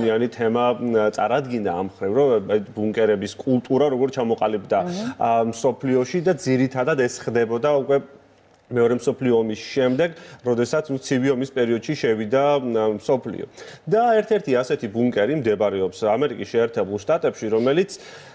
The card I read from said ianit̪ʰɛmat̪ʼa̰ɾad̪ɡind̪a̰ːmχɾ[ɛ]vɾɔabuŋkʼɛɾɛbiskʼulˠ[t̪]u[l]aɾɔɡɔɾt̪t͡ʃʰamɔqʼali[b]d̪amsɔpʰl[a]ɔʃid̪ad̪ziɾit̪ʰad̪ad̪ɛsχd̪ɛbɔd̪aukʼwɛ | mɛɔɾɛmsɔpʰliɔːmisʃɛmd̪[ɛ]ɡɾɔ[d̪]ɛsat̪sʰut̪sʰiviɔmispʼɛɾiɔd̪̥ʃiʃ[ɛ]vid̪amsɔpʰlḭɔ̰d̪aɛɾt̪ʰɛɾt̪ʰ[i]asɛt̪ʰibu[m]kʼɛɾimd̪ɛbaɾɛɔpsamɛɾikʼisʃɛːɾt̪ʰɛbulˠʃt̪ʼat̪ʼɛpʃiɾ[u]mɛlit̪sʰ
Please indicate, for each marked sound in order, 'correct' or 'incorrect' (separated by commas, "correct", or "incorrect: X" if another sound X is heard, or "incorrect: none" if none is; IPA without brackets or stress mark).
incorrect: i, incorrect: t̪ʼ, incorrect: ɾ, correct, incorrect: i, correct, correct, correct, correct, incorrect: ŋ, incorrect: ɔ